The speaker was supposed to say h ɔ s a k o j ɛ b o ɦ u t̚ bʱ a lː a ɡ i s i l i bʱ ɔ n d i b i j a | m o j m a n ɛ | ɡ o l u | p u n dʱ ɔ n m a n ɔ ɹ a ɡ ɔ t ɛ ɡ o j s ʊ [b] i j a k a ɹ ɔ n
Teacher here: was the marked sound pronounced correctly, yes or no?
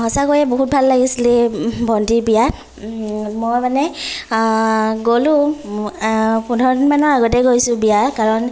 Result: yes